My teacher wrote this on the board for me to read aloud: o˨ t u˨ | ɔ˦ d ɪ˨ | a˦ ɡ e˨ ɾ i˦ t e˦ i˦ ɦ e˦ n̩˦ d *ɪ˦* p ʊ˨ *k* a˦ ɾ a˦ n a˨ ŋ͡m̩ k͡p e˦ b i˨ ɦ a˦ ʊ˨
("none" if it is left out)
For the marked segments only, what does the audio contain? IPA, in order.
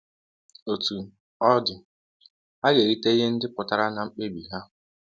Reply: ɪ˦, t

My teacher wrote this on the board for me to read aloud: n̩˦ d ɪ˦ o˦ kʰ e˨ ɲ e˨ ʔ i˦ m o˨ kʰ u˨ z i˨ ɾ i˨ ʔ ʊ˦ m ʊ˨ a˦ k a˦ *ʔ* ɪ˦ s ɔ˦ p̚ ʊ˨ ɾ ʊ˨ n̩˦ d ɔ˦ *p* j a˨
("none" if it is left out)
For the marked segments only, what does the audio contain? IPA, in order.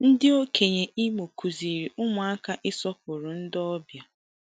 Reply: ʔ, b

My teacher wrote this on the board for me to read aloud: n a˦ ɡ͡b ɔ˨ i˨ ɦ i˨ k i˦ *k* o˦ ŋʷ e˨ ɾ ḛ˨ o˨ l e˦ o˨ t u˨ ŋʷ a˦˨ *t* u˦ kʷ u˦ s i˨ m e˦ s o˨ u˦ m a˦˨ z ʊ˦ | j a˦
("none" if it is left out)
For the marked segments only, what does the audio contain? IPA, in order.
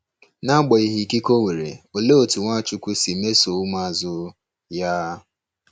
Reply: k, t͡ʃ

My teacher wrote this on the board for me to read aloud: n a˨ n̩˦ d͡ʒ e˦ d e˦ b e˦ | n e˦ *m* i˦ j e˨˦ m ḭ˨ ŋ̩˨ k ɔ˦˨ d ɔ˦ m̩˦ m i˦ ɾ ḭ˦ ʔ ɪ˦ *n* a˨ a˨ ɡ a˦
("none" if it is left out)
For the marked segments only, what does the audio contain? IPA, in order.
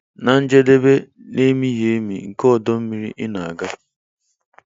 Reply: m, n

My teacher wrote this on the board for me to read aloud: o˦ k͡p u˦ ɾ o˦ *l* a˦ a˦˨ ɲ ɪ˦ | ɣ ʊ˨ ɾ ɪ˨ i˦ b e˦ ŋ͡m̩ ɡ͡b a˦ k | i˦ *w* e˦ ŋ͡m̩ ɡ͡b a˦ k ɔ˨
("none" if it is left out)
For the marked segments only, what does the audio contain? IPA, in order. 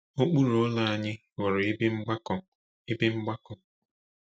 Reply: l, b

